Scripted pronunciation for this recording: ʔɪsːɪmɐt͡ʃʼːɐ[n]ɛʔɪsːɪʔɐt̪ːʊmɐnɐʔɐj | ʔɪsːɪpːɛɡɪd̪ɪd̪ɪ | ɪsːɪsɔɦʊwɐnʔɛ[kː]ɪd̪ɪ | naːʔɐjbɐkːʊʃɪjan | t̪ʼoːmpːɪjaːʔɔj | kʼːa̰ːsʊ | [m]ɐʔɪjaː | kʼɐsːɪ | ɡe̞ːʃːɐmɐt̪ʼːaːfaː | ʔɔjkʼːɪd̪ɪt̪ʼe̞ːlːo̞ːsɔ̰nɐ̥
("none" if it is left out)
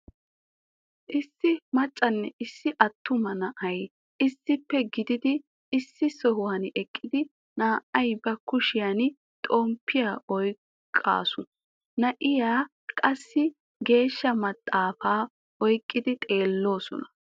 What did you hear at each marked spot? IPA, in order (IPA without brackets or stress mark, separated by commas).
nː, kʼː, n